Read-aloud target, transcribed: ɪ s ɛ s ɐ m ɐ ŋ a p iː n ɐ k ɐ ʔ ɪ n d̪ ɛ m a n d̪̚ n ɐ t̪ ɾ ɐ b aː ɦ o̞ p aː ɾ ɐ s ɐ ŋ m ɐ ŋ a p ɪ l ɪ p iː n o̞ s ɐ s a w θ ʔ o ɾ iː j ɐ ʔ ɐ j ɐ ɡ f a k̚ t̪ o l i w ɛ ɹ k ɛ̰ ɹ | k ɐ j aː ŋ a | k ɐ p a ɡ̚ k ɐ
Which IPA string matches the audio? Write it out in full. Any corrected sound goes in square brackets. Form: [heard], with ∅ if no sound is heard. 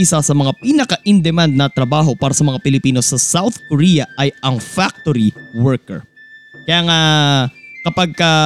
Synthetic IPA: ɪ s [a] s ɐ m ɐ ŋ a p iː n ɐ k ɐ ʔ ɪ n d̪ ɛ m a n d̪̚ n ɐ t̪ ɾ ɐ b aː ɦ o̞ p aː ɾ ɐ s ɐ [∅] m ɐ ŋ a p ɪ l ɪ p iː n o̞ s ɐ s a w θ [k] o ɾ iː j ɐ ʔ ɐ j ɐ [ŋ] f a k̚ t̪ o [ɾ] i w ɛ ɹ k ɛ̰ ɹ | k ɐ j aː ŋ a | k ɐ p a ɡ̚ k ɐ